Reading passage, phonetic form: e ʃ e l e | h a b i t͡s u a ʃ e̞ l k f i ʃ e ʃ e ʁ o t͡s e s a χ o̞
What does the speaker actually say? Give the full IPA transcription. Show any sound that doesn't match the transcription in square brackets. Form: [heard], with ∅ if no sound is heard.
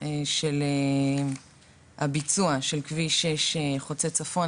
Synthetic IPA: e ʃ e l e | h a b i t͡s u a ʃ e̞ l k [v] i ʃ e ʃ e [χ] o t͡s e [t͡s] a [f] o̞